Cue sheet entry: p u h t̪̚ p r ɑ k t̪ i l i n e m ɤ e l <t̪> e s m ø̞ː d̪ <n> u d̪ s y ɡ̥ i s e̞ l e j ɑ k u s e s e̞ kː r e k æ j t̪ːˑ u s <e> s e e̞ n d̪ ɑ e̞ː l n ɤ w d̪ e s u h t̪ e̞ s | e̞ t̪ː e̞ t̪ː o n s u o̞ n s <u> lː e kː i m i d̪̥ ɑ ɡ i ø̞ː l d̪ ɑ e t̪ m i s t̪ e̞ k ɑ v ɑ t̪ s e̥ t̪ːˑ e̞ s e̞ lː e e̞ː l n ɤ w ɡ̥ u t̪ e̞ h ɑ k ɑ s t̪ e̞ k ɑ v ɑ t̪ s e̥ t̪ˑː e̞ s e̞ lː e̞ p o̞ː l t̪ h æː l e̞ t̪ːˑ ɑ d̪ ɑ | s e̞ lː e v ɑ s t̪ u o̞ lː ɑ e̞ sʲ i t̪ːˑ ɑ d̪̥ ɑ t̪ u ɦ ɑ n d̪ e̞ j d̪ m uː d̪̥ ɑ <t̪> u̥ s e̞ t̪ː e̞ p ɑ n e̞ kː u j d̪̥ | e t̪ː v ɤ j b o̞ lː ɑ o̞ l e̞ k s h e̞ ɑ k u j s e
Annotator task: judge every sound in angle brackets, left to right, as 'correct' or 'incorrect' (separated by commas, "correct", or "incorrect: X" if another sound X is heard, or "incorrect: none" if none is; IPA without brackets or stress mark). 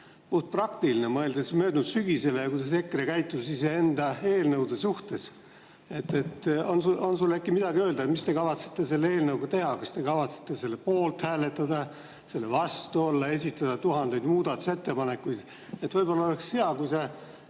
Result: incorrect: d̪, correct, incorrect: i, correct, correct